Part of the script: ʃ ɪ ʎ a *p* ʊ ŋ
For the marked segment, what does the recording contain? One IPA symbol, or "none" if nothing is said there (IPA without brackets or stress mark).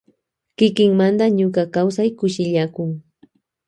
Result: k